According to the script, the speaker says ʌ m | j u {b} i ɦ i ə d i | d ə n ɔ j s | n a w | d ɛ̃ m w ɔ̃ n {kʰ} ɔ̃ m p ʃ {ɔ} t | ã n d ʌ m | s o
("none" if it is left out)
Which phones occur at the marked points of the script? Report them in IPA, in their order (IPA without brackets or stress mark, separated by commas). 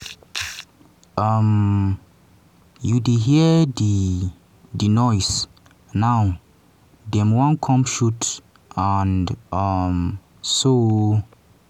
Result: d, kʰ, u